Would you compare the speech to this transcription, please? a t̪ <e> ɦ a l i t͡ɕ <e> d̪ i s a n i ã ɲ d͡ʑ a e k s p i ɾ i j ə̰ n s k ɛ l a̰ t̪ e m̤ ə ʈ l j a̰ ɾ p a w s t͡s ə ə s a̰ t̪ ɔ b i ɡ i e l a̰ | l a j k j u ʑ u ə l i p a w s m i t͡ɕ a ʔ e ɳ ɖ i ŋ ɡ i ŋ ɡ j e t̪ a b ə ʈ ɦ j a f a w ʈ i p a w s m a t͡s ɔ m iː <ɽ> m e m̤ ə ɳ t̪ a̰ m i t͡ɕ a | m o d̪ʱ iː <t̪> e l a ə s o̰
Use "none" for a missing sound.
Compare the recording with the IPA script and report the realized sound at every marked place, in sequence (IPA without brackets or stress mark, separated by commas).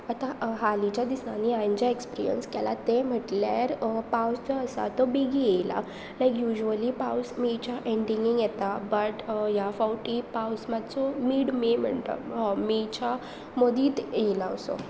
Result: a, a, ɽ, t̪